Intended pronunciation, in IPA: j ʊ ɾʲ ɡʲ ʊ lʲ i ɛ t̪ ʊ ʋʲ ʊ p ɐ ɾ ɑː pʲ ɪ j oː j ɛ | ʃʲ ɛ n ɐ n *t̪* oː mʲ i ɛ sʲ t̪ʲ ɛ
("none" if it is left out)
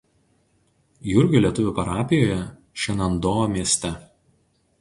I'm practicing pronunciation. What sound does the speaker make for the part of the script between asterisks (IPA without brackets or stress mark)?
d̪